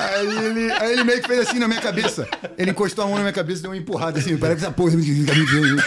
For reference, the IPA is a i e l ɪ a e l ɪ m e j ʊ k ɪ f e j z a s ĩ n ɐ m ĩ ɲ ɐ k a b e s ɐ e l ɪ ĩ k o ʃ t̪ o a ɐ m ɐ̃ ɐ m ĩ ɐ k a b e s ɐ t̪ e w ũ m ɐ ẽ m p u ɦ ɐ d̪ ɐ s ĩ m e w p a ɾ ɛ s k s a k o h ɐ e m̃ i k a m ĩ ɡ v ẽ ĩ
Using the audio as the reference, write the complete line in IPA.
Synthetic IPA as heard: a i e l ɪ a e l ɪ m e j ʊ k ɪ f e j z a s ĩ n ɐ m ĩ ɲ ɐ k a b e s ɐ e l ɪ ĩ k o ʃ t̪ o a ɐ m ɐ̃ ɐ m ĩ ɐ k a b e s ɐ d̪ e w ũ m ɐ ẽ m p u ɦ a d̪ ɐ s ĩ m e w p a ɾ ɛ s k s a p o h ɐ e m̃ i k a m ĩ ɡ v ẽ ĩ